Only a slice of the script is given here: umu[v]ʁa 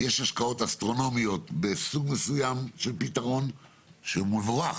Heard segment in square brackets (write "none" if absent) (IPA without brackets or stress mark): v